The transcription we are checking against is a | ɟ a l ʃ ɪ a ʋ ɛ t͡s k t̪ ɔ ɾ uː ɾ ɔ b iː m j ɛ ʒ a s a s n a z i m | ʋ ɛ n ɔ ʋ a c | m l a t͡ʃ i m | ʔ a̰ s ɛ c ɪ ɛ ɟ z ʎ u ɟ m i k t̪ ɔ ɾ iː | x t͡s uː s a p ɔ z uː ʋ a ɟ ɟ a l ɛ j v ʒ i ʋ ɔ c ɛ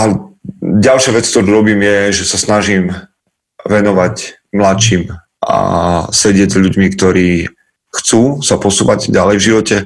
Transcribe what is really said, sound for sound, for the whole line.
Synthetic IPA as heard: a | ɟ a l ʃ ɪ a ʋ ɛ t͡s k t̪ ɔ ɾ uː ɾ ɔ b iː m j ɛ ʒ ɛ s a s n a ʒ i m | ʋ ɛ n ɔ ʋ a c | m l a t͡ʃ i m | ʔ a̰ s ɛ ɟ ɪ ɛ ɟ z ʎ u ɟ m i k t̪ ɔ ɾ iː | x t͡s uː s a p ɔ s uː ʋ a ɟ ɟ a l ɛ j v ʒ i ʋ ɔ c ɛ